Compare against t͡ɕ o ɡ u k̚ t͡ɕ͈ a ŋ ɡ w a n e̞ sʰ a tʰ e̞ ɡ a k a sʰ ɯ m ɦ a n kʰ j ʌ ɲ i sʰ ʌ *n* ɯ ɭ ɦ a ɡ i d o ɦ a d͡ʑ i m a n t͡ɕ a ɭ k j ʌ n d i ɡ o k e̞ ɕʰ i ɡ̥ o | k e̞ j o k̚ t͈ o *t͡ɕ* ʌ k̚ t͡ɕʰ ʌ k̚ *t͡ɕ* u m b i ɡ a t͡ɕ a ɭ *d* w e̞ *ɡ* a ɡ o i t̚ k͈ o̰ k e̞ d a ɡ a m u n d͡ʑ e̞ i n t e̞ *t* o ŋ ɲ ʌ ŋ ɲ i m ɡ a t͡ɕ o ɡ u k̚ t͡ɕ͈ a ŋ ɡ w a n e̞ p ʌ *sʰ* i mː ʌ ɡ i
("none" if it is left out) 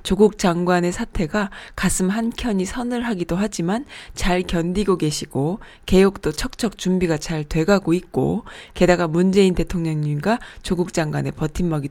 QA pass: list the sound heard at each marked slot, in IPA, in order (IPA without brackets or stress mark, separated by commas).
n, t͡ɕʰ, t͡ɕ, t, ɡ, tʰ, tʰ